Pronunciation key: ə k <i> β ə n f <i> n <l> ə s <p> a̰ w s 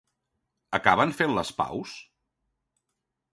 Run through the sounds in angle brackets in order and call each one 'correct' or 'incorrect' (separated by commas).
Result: incorrect, incorrect, correct, correct